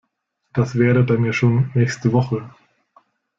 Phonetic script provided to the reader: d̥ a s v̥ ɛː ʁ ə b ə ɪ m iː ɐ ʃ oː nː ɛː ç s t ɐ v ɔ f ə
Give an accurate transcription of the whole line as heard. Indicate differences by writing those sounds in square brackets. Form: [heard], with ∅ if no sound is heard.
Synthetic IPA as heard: d̥ a s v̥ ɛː ʁ ə b [a] ɪ m iː ɐ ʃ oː nː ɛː ç s t [ə] v ɔ [χ] ə